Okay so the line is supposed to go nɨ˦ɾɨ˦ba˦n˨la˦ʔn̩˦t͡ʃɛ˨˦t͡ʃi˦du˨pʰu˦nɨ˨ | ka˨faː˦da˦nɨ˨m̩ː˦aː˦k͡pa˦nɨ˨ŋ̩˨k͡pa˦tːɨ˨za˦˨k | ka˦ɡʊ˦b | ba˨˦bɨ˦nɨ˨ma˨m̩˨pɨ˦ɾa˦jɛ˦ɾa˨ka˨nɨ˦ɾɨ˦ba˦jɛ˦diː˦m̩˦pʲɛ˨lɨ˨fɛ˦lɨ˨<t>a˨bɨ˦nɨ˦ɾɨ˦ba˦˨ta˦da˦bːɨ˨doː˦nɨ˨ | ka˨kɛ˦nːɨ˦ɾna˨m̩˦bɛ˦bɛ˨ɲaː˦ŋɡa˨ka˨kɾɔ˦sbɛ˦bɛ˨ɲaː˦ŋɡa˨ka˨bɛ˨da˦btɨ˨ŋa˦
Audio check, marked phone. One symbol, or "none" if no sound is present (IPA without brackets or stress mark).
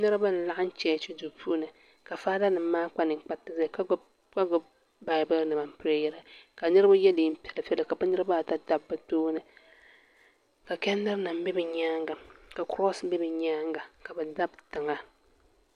k